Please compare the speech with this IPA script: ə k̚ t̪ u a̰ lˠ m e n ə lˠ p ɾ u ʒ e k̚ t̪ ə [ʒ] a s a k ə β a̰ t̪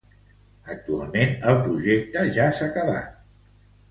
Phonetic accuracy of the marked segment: correct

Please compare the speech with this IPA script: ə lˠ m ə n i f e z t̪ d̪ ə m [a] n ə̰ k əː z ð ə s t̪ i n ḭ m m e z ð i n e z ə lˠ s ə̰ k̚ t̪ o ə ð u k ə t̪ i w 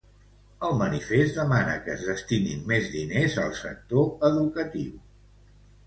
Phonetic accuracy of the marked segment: correct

